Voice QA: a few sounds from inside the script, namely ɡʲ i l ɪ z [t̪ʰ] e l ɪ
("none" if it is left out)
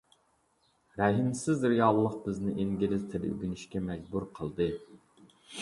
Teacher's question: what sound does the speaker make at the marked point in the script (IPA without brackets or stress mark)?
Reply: t̪ʰ